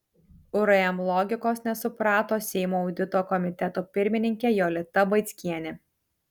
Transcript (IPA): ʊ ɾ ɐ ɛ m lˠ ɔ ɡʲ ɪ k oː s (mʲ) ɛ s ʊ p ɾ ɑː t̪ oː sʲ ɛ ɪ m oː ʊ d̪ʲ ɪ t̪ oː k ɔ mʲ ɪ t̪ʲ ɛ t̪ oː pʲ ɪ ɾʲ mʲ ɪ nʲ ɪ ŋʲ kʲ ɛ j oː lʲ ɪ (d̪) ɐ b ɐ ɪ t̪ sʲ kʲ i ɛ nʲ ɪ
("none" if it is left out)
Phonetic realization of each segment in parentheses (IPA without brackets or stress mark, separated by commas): nʲ, t̪